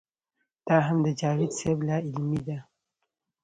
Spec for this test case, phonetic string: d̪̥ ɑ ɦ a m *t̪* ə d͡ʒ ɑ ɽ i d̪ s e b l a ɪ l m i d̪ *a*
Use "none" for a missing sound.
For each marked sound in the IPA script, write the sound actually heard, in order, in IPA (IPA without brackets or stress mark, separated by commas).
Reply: d̪, a